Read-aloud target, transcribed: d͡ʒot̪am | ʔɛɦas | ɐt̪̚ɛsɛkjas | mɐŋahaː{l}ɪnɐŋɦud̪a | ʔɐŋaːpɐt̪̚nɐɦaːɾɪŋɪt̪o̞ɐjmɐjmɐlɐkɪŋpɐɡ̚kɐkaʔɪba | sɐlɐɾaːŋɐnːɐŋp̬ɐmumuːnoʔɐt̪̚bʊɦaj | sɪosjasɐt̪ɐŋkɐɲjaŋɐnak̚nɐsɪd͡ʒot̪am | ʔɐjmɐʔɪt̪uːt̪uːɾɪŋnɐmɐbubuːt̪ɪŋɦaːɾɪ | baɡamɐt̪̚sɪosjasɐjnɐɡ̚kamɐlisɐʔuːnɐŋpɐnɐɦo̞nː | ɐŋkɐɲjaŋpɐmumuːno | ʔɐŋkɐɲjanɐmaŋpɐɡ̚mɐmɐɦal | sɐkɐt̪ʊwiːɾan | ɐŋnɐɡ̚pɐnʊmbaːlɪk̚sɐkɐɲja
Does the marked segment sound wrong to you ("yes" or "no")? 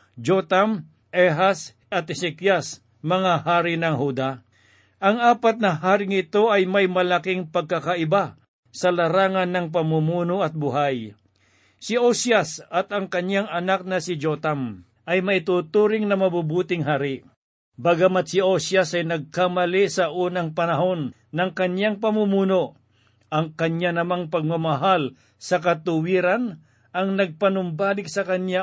yes